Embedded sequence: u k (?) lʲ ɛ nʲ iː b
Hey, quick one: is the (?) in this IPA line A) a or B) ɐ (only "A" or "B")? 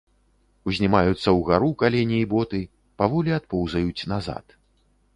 A